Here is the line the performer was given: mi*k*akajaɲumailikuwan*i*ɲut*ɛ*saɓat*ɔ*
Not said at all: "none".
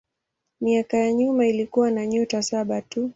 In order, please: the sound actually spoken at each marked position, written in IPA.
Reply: none, a, a, u

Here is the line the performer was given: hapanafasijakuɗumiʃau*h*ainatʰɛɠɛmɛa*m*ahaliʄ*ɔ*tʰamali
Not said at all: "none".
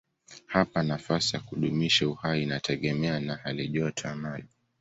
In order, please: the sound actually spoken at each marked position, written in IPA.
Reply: h, n, ɔ

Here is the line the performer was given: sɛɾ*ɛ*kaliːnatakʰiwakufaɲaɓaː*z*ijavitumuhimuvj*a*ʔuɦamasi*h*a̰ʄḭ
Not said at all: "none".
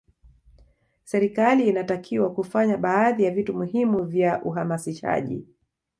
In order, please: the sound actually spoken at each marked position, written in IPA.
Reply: i, ð, a, ʃ

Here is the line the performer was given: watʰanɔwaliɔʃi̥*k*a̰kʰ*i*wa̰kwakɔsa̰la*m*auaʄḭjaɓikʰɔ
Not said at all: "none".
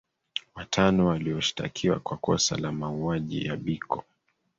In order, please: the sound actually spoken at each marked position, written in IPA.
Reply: t, i, m

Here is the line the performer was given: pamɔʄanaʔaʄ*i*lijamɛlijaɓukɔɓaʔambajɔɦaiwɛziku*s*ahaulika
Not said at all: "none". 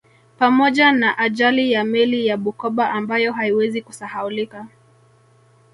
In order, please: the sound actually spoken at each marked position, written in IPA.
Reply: a, s

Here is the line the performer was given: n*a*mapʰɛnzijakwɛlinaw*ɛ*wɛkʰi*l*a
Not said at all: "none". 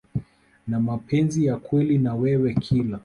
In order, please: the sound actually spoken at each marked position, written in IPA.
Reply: a, ɛ, l

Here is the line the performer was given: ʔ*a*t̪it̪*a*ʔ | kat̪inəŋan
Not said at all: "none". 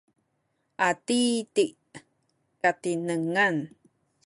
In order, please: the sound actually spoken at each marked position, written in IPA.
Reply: a, i

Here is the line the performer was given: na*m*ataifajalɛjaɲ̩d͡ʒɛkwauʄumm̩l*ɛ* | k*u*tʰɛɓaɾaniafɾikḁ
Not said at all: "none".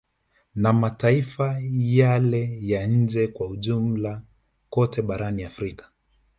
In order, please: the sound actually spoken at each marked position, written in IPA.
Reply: m, a, ɔ

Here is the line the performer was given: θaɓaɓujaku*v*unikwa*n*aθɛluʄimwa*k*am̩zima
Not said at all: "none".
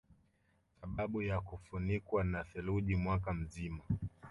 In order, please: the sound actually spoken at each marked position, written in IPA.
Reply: f, n, k

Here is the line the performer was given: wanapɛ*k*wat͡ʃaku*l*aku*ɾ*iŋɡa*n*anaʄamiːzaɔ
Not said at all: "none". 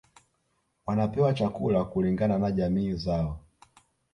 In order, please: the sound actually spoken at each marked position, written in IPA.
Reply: none, l, l, n

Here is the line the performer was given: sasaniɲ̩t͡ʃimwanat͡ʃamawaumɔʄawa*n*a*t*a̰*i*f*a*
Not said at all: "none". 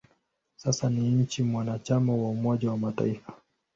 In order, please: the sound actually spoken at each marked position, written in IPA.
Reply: m, t, i, a

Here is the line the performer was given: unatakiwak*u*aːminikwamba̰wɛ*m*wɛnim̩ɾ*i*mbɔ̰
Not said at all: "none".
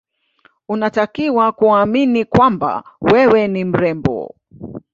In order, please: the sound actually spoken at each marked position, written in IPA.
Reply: u, none, ɛ

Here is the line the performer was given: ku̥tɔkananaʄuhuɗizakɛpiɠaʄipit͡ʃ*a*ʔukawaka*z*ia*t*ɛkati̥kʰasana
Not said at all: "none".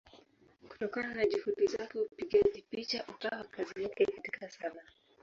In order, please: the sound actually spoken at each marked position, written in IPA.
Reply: a, z, k

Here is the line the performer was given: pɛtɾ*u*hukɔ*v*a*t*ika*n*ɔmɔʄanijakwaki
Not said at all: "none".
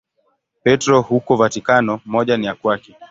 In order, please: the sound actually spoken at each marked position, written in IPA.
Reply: ɔ, v, t, n

